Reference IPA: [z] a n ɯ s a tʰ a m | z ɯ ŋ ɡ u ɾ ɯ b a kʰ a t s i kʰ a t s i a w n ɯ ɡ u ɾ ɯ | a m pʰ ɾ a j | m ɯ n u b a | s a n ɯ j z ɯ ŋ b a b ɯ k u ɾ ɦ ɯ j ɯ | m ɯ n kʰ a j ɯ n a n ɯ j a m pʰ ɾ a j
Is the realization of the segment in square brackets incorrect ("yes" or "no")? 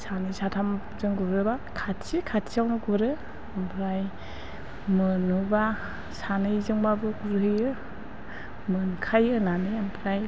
yes